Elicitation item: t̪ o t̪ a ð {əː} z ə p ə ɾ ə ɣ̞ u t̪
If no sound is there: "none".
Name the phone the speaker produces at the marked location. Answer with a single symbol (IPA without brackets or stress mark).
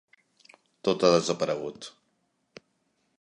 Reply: ə